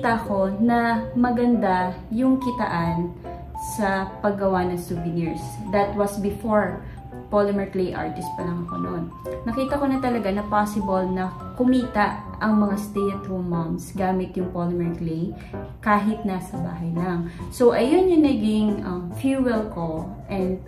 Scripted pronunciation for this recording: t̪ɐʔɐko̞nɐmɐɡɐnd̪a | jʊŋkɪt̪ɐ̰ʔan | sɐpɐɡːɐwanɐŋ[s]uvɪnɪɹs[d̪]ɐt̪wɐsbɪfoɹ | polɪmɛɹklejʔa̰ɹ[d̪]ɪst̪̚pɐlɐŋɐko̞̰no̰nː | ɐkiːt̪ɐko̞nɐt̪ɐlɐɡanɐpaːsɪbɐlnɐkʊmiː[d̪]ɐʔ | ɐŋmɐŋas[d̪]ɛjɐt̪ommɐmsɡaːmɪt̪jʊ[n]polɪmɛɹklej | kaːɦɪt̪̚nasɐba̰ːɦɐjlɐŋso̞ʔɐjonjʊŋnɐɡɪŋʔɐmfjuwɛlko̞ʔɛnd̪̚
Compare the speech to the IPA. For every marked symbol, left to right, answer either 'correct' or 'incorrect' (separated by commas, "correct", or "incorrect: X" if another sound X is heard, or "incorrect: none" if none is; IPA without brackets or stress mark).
correct, correct, incorrect: t̪, incorrect: t̪, incorrect: t̪, incorrect: ŋ